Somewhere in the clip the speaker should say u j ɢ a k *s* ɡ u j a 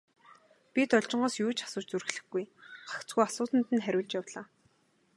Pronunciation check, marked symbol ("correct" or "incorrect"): incorrect